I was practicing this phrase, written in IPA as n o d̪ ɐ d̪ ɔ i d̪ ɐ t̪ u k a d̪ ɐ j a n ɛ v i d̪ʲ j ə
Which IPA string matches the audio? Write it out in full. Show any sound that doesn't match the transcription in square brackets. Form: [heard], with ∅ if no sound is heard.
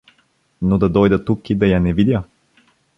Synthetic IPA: n o d̪ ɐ d̪ ɔ [j] d̪ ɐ t̪ u k [i] d̪ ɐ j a n ɛ v i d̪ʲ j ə